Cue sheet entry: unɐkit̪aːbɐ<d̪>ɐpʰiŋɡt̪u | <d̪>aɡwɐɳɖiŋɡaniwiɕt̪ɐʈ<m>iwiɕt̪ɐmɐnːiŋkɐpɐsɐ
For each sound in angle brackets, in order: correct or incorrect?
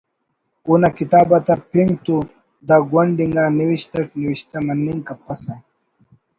incorrect: t̪, correct, incorrect: n

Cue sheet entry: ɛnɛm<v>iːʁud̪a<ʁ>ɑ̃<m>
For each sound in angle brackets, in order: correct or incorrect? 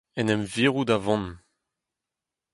correct, incorrect: v, incorrect: n

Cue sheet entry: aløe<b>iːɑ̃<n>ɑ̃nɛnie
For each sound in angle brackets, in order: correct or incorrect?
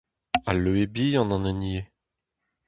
correct, correct

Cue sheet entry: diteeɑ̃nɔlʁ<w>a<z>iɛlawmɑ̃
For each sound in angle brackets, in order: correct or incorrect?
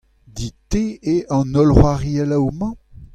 correct, incorrect: ʁ

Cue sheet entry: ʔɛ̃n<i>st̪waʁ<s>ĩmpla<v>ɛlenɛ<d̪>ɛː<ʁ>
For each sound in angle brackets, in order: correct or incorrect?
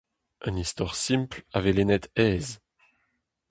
correct, correct, correct, incorrect: t̪, incorrect: z

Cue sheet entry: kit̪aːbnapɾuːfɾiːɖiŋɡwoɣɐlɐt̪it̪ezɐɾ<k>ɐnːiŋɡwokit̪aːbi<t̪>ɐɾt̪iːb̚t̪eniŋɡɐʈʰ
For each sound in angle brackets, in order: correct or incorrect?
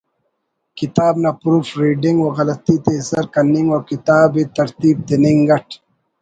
correct, correct

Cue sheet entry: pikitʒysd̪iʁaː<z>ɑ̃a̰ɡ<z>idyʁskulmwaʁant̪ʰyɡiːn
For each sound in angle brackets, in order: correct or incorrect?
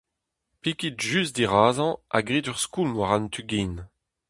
correct, incorrect: ʁ

